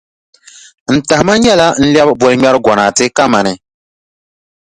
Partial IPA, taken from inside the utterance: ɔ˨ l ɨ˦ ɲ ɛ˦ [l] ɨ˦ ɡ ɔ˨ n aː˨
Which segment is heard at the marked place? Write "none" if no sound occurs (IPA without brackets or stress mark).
ɾ